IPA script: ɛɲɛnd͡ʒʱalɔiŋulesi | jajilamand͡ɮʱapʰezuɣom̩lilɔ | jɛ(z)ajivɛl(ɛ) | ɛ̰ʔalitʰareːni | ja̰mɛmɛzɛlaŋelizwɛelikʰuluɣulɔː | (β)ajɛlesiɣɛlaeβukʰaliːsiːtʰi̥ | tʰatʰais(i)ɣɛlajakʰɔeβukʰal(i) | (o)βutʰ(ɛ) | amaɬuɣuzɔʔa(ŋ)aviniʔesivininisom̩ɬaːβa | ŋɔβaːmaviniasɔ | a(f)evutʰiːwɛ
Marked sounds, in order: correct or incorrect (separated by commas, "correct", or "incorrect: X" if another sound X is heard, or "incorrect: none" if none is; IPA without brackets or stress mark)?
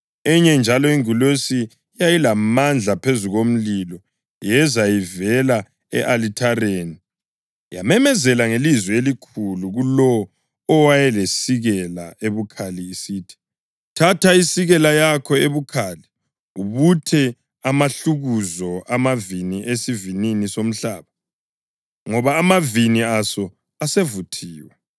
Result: correct, incorrect: a, incorrect: w, correct, correct, incorrect: u, correct, incorrect: m, incorrect: s